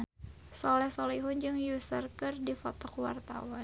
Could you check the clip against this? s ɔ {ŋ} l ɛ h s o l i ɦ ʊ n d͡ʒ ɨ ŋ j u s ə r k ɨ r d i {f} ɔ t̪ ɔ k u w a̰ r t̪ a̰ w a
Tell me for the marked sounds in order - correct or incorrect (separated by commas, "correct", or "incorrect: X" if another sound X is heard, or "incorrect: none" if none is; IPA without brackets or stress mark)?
incorrect: none, correct